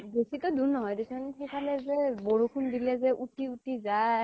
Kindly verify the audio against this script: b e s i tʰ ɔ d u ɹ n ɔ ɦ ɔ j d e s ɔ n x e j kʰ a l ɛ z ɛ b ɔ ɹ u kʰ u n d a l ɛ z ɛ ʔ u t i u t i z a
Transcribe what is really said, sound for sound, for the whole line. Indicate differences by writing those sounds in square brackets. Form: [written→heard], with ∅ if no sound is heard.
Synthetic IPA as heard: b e s i [tʰ→t] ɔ d u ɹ n ɔ ɦ ɔ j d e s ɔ n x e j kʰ a l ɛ z ɛ b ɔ ɹ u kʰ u n d [a→i] l ɛ z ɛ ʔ u t i u t i z a